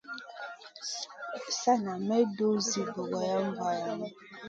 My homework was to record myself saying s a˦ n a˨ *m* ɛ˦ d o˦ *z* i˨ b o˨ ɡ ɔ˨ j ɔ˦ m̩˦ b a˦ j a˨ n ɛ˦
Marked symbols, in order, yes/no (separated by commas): yes, yes